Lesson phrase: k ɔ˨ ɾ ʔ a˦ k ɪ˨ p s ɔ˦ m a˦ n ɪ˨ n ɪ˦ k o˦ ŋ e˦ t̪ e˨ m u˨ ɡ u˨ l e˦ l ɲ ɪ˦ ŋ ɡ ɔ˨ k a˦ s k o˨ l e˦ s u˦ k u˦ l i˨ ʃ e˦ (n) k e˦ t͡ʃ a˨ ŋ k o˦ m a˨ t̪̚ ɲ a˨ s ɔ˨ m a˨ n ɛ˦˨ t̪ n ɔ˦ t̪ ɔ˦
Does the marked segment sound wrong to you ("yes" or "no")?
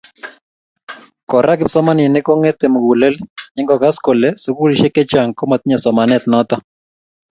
yes